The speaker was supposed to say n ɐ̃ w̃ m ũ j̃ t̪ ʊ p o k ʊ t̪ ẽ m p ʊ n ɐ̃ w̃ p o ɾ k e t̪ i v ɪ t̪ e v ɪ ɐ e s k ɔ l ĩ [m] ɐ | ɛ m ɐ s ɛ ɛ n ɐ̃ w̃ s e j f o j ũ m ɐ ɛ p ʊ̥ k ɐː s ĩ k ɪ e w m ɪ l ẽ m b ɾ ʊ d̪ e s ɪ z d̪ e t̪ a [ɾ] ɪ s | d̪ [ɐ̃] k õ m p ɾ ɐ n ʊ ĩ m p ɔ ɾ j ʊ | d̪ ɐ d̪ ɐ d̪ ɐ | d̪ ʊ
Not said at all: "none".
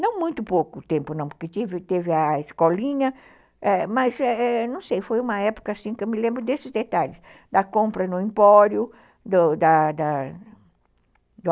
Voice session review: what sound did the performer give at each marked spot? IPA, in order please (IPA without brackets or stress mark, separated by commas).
ɲ, ʎ, ɐ